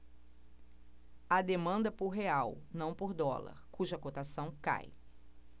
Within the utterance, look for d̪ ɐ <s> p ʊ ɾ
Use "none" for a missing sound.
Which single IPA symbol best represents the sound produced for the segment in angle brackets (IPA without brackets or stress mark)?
none